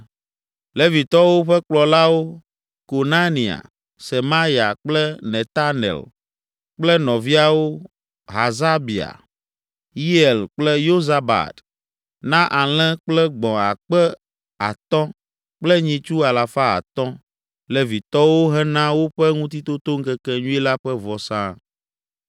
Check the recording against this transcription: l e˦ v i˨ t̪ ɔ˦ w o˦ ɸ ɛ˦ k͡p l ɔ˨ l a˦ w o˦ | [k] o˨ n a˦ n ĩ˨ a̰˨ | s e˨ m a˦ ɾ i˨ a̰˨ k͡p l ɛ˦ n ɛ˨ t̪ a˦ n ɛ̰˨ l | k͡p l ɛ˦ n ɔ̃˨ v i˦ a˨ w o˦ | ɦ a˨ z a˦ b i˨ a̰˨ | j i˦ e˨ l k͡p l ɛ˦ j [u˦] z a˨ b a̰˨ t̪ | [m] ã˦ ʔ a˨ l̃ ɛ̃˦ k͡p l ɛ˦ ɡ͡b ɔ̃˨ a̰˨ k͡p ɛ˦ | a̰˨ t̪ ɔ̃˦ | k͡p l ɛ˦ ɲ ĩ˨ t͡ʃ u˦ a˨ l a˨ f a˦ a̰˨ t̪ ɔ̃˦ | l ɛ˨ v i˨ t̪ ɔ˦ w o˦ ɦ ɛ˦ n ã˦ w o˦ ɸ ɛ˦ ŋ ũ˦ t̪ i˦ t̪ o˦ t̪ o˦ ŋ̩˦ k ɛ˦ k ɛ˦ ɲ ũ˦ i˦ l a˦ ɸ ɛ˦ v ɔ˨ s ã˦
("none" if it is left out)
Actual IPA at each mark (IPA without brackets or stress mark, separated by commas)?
k, o˦, n